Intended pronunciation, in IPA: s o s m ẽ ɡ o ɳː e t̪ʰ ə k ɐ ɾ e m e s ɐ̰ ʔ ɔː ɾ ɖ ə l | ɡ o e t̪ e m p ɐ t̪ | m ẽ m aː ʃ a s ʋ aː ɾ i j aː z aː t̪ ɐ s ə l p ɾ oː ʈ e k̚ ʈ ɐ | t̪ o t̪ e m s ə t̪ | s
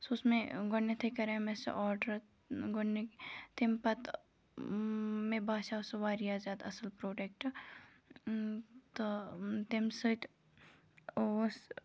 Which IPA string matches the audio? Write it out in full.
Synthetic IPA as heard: s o s m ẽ ɡ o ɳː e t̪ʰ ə k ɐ ɾ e m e s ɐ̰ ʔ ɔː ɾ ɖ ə ɾ | ɡ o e t̪ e m p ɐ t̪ | m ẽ b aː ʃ a s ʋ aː ɾ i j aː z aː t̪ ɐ s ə l p ɾ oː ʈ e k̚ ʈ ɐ | t̪ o t̪ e m s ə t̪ | s